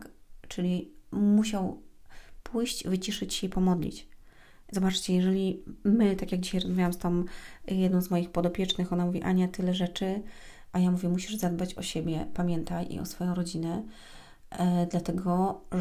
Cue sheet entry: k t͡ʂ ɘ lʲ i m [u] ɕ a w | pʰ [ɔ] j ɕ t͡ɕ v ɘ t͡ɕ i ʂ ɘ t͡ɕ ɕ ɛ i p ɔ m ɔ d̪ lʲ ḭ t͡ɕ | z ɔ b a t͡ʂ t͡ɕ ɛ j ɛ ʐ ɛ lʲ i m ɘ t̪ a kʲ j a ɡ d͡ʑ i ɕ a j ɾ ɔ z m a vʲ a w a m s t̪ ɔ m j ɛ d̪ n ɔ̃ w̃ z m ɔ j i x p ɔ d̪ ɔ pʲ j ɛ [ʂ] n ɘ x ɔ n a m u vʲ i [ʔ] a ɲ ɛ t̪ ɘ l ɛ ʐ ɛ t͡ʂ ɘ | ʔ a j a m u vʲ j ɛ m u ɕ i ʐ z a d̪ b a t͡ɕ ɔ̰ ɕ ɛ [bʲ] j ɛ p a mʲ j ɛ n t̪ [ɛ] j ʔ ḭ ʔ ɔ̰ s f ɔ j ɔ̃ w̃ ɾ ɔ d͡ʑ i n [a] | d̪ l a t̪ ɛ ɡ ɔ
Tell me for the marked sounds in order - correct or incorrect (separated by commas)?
correct, incorrect, incorrect, correct, correct, incorrect, incorrect